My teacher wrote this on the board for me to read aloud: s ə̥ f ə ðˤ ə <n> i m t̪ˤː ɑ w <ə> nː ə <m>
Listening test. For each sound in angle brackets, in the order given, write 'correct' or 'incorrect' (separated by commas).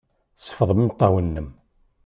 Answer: incorrect, correct, correct